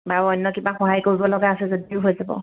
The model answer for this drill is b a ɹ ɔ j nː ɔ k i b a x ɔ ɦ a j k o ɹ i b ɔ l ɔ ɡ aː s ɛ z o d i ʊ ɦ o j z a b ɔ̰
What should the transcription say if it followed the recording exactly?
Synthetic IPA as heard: b a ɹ ɔ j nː ɔ k i b a x ɔ ɦ a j k o ɹ i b ɔ l ɔ ɡ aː s ɛ z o d i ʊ ɦ o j z a b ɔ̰